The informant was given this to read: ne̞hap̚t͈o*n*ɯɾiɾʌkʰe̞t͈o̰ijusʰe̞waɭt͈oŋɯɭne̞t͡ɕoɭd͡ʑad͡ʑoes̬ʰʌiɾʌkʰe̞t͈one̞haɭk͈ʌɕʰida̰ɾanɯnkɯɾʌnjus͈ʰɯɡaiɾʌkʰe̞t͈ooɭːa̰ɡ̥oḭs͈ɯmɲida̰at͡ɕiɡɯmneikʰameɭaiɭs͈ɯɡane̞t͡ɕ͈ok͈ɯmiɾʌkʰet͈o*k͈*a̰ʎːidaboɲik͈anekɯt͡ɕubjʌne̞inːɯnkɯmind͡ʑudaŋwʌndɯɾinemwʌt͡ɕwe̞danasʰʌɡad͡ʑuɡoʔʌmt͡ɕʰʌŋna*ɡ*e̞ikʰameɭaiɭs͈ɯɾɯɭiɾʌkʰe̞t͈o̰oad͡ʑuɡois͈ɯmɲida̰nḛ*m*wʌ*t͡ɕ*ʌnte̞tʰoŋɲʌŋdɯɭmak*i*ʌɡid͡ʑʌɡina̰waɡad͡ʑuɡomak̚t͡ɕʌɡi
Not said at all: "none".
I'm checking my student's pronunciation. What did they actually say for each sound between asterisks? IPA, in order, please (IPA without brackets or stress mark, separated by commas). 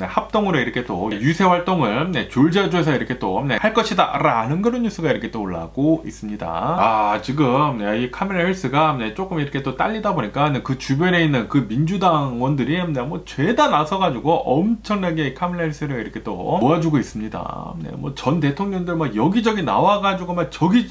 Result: ŋ, t͈, ɡ, m, t͡ɕ, j